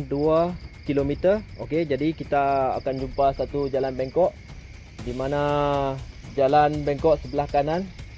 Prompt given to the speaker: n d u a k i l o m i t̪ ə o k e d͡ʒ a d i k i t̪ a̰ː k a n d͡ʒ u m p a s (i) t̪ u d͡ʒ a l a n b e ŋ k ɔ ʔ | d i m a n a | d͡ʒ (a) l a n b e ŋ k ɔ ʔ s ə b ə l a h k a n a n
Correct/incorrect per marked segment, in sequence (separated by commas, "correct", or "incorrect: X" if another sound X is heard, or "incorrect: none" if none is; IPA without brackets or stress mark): incorrect: a, correct